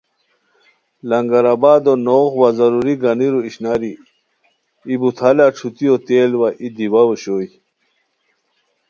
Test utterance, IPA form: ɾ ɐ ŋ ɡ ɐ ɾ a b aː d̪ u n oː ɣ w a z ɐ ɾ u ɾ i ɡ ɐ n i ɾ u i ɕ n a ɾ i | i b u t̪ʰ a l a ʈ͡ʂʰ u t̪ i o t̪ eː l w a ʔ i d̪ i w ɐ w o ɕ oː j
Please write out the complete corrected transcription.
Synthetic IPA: l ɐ ŋ ɡ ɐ ɾ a b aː d̪ o n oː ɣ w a z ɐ ɾ u ɾ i ɡ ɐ n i ɾ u i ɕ n a ɾ i | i b u t̪ʰ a l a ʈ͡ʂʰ u t̪ i o t̪ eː l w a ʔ i d̪ i w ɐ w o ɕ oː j